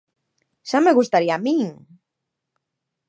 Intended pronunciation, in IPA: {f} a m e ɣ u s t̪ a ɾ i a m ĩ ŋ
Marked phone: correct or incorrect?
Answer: incorrect